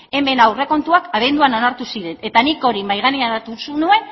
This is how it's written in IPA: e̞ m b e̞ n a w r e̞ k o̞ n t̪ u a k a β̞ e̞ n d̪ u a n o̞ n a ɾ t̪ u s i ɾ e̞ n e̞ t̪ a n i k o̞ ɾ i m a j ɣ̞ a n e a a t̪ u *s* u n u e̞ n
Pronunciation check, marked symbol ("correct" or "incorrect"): correct